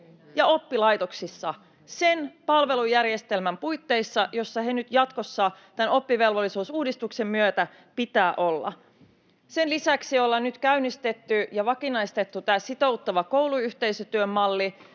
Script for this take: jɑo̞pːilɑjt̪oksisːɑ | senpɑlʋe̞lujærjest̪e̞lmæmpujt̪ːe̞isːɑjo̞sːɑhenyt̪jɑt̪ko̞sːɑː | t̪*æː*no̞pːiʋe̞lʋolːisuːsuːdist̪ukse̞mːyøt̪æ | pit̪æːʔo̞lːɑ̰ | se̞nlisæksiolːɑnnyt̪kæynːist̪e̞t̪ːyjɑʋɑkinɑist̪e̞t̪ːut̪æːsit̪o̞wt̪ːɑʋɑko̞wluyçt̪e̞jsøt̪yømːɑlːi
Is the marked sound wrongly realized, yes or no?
yes